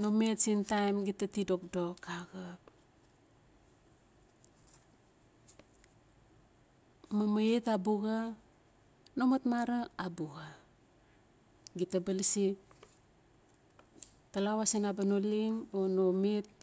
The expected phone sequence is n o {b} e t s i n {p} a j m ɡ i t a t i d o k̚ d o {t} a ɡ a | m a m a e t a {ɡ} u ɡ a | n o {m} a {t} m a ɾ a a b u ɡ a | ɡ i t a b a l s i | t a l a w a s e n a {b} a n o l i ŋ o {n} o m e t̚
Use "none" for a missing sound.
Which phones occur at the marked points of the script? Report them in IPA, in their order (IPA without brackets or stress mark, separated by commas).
m, t, k, b, m, t, b, n